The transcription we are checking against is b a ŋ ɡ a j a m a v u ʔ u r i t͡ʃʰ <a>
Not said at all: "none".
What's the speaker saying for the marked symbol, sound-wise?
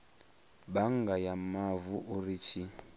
i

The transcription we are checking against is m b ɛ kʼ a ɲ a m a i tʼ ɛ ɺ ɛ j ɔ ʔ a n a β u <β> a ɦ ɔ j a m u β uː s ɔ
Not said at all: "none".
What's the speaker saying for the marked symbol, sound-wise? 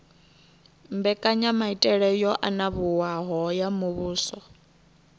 w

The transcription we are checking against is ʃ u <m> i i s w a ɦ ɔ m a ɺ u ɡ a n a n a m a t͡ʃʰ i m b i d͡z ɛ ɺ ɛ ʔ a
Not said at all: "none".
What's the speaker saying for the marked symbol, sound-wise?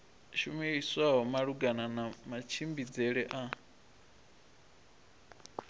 m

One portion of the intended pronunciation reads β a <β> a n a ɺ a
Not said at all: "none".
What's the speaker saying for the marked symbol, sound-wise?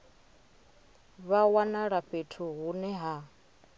w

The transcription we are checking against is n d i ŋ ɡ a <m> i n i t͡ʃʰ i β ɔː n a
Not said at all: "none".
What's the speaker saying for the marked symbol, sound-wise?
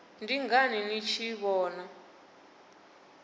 n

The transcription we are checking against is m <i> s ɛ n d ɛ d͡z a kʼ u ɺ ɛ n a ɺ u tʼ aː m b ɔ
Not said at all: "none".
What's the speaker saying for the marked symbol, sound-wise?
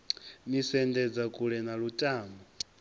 i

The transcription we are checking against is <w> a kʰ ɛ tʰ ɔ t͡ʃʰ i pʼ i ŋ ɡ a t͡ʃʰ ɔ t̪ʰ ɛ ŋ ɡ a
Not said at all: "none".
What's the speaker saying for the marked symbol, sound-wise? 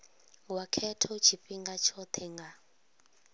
w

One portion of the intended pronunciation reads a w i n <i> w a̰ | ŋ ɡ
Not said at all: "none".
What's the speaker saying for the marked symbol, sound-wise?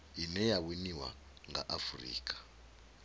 i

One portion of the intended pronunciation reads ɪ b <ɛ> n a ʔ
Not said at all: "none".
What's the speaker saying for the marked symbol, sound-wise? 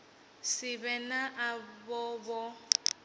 ɛ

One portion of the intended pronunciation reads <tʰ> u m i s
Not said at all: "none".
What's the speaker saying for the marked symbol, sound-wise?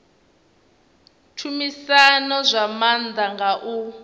tʰ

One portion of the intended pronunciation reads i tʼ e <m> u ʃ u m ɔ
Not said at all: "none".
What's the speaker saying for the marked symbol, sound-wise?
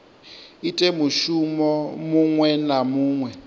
m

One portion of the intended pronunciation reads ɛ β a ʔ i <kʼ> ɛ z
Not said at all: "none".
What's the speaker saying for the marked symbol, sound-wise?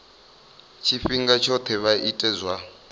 tʼ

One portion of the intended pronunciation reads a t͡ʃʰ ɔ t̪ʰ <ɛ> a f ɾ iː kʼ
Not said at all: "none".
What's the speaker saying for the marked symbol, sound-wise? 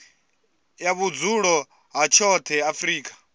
ɛ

